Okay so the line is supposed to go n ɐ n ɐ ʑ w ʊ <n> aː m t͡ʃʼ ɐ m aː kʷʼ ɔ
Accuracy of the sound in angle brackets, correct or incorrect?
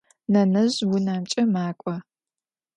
correct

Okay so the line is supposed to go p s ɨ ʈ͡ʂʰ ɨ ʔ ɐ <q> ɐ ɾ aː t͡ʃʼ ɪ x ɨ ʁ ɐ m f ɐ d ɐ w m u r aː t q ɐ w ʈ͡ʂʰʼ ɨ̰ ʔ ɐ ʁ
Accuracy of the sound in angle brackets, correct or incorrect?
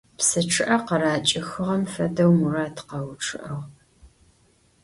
correct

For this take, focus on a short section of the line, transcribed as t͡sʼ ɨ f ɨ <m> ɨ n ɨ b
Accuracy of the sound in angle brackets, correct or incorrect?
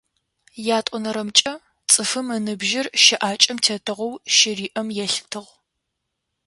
correct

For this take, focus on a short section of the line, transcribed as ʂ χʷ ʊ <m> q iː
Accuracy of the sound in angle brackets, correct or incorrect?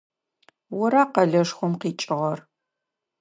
correct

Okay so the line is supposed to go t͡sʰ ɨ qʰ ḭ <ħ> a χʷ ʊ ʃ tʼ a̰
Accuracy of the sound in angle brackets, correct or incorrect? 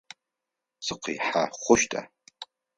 correct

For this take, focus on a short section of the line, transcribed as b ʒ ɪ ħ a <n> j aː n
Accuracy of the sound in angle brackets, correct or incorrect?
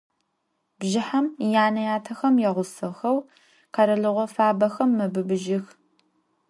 incorrect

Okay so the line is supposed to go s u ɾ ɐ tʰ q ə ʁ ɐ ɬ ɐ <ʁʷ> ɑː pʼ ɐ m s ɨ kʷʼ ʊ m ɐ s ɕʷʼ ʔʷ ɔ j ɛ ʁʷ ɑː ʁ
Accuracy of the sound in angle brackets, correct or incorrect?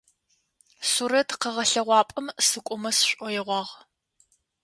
correct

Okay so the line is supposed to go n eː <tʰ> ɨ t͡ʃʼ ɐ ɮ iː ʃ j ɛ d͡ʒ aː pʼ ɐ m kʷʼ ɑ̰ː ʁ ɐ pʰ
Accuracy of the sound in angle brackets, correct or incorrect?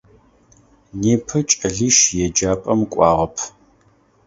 incorrect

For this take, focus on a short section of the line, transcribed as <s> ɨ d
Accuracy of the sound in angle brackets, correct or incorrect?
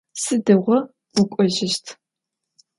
correct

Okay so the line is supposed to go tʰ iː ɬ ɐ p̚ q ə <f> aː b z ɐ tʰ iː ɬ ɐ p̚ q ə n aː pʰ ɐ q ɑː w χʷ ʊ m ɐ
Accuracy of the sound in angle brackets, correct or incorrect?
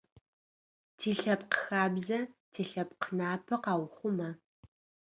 incorrect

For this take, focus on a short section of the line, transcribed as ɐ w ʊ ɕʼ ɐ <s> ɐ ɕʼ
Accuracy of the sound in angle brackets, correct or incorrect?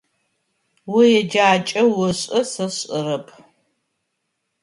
correct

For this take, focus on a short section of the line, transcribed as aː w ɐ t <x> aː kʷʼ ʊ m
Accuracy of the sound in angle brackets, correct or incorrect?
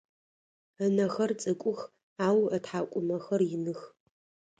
incorrect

